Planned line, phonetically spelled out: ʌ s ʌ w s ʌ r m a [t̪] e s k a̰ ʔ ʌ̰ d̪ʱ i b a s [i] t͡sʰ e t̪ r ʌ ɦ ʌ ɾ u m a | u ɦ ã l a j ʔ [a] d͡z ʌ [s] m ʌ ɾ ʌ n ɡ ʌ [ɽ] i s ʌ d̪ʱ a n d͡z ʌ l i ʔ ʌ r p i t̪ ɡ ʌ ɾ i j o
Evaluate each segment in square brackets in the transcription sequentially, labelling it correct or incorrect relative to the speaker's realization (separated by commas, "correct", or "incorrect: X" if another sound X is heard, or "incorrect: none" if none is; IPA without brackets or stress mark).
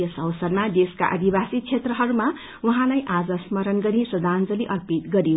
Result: incorrect: d̪, correct, correct, correct, incorrect: ɾ